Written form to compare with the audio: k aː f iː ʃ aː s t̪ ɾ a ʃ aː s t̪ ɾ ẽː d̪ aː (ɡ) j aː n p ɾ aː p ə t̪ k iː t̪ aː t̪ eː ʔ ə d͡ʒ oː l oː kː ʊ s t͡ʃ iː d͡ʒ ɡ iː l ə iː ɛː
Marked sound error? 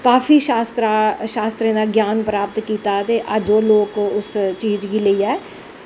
no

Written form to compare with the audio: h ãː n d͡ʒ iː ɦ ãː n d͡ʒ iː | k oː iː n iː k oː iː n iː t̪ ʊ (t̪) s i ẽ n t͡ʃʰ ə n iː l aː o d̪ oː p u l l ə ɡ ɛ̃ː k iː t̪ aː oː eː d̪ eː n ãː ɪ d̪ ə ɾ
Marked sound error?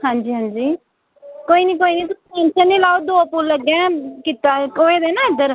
yes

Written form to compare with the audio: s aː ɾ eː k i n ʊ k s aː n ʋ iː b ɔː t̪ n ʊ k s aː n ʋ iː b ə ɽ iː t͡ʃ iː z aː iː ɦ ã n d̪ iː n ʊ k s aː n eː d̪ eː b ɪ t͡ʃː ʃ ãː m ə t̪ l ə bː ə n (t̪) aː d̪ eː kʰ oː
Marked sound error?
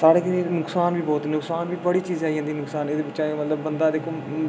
yes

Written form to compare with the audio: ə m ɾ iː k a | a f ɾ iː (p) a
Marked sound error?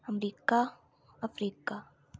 yes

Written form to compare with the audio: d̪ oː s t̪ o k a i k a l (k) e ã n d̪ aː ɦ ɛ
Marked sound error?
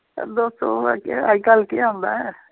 no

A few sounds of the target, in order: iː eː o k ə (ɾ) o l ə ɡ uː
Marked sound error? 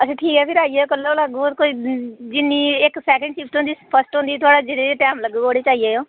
yes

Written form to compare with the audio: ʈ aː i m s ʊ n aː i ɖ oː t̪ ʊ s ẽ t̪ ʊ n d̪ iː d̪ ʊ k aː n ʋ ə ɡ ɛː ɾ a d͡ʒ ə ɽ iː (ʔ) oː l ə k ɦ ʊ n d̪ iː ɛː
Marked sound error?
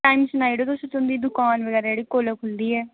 yes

